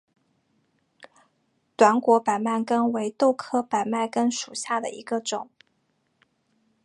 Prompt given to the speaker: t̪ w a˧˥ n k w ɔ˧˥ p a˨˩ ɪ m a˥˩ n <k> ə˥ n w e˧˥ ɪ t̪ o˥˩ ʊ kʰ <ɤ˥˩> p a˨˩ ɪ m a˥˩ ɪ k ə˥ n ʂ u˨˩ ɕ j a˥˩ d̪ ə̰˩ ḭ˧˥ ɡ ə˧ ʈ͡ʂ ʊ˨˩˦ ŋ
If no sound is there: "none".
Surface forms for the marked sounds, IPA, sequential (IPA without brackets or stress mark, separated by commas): k, ɤ˥